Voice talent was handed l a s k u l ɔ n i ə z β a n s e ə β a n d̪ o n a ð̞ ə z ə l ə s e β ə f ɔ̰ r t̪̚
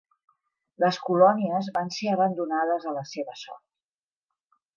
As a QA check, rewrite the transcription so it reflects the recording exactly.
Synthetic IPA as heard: l ə s k u l ɔ n i ə z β a n s e ə β ə n d̪ u n a ð̞ ə z ə l ə s e β ə s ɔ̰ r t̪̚